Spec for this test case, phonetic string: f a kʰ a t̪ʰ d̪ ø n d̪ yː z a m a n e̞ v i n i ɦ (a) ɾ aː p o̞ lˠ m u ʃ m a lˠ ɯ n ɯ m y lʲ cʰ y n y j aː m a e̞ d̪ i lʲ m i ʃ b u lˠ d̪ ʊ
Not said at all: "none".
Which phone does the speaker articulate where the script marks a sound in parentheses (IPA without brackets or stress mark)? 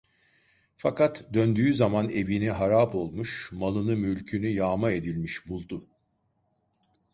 a